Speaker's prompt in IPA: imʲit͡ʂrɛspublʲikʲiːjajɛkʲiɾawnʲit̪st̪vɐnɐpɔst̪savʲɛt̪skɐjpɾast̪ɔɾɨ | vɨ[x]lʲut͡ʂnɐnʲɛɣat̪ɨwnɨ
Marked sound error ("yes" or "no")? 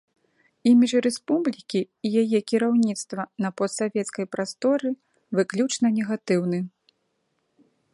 yes